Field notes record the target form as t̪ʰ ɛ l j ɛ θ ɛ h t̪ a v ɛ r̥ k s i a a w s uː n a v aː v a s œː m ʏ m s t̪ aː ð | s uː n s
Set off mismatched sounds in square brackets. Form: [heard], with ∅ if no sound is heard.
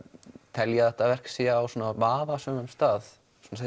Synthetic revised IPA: t̪ʰ ɛ l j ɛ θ ɛ h t̪ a v ɛ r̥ k s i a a w s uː n a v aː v a s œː m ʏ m s t̪ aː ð | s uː n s